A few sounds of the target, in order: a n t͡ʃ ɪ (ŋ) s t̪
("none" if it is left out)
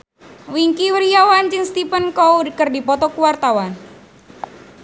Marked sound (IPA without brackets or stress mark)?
ŋ